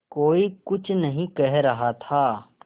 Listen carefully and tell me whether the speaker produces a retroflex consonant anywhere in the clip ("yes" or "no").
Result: no